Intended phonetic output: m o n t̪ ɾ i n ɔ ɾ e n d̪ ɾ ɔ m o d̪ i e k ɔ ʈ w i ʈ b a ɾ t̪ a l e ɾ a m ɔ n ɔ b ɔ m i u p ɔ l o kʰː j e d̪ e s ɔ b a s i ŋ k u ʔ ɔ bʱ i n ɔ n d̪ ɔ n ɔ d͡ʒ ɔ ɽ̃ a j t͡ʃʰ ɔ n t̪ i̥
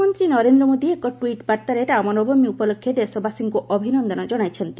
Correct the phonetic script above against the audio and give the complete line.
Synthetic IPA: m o n t̪ ɾ i n ɔ ɾ e n d̪ ɾ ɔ m o d̪ i e k ɔ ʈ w i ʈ b a ɾ t̪ a ɾ e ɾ a m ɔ n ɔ b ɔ m i u p ɔ l o kʰː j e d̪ e s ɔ b a s i ŋ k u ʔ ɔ bʱ i n ɔ n d̪ ɔ n ɔ d͡ʒ ɔ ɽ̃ a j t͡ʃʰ ɔ n t̪ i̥

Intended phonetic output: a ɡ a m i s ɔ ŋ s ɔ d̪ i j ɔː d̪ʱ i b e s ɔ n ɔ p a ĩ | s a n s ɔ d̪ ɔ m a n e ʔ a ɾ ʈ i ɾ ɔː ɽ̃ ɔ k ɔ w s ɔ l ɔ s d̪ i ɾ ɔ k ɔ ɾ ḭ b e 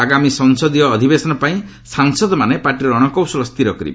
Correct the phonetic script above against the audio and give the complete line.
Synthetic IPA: a ɡ a m i s ɔ ŋ s ɔ d̪ i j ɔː d̪ʱ i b e s ɔ n ɔ p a ĩ | s a ŋ s ɔ d̪ ɔ m a n e p a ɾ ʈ i ɾ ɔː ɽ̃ ɔ k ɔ w s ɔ l ɔ s t̪ i ɾ ɔ k ɔ ɾ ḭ b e

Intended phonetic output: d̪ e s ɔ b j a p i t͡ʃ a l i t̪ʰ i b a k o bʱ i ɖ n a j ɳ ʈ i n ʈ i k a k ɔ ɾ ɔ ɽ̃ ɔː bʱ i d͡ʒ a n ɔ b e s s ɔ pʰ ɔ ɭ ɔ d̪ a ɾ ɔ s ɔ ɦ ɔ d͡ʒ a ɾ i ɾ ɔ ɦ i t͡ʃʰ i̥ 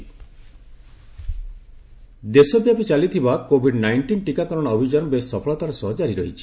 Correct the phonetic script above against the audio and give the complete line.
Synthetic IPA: d̪ e s ɔ b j a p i t͡ʃ a l i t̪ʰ i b a k o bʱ i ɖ n a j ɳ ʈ i n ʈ i k a k ɔ ɾ ɔ ɽ̃ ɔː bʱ i d͡ʒ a n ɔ b e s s ɔ pʰ ɔ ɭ ɔ t̪ a ɾ ɔ s ɔ ɦ ɔ d͡ʒ a ɾ i ɾ ɔ ɦ i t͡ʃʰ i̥

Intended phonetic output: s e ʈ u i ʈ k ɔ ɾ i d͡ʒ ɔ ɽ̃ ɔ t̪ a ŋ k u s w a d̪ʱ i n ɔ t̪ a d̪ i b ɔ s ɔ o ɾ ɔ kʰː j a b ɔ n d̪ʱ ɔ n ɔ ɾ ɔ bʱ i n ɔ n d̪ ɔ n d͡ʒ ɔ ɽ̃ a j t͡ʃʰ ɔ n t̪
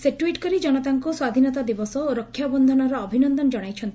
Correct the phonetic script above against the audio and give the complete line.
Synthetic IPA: s e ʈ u i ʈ k ɔ ɾ i d͡ʒ ɔ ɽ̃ ɔ t̪ a ŋ k u s w a d̪ʱ i n ɔ t̪ a d̪ i b ɔ s ɔ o ɾ ɔ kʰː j a b ɔ n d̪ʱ ɔ n ɔ ɾ ɔː bʱ i n ɔ n d̪ ɔ n d͡ʒ ɔ ɽ̃ a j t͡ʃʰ ɔ n t̪

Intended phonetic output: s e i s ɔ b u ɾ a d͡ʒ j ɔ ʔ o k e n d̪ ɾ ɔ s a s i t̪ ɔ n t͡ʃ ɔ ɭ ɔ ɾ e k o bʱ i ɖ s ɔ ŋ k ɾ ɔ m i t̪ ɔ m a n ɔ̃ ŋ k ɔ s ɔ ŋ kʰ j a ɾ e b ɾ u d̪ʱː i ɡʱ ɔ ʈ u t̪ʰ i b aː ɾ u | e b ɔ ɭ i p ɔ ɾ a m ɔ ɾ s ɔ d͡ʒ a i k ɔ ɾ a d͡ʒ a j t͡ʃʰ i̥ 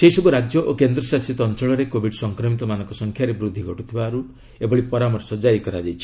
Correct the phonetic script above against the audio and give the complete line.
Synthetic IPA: s e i s ɔ b u ɾ a d͡ʒ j ɔ ʔ o k e n d̪ ɾ ɔ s a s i t̪ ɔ n t͡ʃ ɔ ɭ ɔ ɾ e k o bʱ i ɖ s ɔ ŋ k ɾ ɔ m i t̪ ɔ m a n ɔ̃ ŋ k ɔ s ɔ ŋ kʰ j a ɾ e b ɾ u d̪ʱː i ɡʱ ɔ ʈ u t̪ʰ i b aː ɾ u | e b ɔ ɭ i p ɔ ɾ a m ɔ ɾ s ɔ d͡ʒ a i k ɔ ɾ a d͡ʒ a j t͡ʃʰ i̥

